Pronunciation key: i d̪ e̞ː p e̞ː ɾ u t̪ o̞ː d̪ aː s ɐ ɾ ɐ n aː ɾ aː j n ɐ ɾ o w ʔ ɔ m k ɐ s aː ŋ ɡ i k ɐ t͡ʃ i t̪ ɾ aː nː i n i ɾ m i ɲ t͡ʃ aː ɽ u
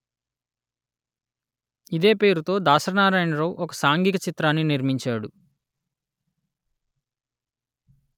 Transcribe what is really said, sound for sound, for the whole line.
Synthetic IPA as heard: i d̪ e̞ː p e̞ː ɾ u t̪ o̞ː d̪ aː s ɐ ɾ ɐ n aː ɾ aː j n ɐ ɾ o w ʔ ɔ k ɐ s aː ŋ ɡ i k ɐ t͡ʃ i t̪ ɾ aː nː i n i ɾ m i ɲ t͡ʃ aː ɽ u